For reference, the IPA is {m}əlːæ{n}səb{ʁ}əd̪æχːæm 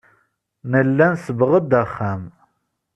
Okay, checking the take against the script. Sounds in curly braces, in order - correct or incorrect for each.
incorrect, correct, correct

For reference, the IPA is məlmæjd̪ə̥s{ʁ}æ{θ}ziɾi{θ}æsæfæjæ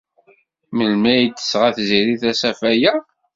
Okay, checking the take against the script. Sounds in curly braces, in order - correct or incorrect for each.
correct, correct, correct

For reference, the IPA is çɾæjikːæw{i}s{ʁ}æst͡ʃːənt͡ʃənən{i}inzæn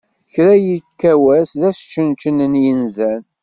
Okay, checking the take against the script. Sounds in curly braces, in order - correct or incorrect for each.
incorrect, incorrect, incorrect

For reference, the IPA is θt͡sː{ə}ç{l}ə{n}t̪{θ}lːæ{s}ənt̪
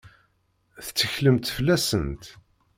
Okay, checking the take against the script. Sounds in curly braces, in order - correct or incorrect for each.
correct, correct, incorrect, incorrect, correct

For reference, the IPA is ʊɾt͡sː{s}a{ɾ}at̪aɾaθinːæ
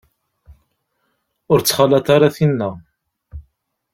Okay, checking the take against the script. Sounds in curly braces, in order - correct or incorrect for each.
incorrect, incorrect

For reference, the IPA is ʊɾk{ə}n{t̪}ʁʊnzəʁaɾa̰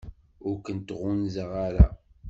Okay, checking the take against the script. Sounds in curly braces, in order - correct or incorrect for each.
correct, correct

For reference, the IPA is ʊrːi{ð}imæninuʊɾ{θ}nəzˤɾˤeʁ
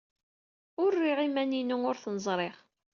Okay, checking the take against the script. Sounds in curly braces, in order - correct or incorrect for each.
incorrect, correct

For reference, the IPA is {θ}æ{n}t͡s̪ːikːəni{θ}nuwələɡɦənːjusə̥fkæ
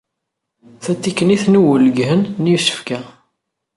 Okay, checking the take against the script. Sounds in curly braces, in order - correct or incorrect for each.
correct, incorrect, correct

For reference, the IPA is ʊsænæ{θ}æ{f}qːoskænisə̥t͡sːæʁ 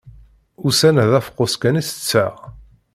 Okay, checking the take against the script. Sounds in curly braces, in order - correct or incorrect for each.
incorrect, correct

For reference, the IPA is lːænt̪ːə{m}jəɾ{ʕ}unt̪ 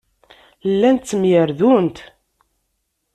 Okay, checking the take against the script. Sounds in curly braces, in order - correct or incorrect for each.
correct, incorrect

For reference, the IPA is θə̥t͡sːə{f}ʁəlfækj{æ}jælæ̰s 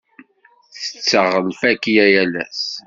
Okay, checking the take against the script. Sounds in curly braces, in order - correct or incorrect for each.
incorrect, correct

